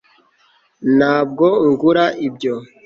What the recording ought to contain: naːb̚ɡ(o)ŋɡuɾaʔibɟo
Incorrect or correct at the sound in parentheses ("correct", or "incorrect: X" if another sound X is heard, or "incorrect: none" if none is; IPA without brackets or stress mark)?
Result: correct